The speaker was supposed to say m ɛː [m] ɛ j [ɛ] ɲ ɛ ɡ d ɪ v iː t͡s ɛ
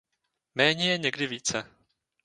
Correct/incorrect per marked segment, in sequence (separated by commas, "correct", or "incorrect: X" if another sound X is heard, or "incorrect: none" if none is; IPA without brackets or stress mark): incorrect: ɲ, correct